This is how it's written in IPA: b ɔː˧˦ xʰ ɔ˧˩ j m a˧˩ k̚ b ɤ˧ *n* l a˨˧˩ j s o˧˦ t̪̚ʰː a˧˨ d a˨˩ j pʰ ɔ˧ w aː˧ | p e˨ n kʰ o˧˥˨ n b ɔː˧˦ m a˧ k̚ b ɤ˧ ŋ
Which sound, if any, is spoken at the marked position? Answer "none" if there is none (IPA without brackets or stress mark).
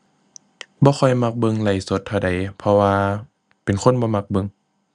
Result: ŋ